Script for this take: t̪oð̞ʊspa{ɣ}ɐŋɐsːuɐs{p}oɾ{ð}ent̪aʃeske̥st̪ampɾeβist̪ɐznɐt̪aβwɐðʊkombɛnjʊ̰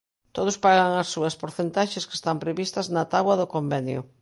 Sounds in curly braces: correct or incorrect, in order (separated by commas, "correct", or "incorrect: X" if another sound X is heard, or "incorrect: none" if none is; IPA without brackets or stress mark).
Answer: correct, correct, incorrect: θ